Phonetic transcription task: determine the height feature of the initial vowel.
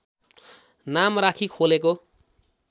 low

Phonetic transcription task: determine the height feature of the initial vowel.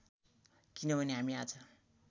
high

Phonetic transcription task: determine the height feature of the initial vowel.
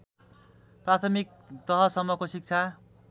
low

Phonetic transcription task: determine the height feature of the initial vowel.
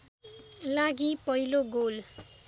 low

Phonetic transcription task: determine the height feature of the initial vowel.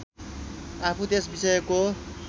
low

